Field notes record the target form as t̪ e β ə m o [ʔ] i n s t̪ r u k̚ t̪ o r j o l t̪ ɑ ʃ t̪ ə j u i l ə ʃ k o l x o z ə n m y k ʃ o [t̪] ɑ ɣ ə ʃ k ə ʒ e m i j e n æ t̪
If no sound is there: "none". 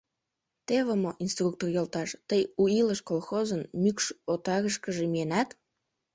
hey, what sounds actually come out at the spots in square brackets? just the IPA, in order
ʔ, t̪

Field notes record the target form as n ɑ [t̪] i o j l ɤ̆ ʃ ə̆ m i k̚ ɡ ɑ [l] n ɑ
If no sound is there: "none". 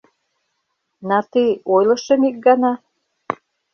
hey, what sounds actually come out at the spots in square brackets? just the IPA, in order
t̪, none

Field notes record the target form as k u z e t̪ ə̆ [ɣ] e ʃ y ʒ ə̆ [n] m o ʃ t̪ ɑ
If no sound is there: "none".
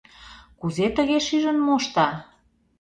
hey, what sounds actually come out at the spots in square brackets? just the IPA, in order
ɣ, n

